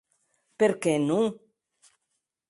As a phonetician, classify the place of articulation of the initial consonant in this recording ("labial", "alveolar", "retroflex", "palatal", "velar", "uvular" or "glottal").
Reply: labial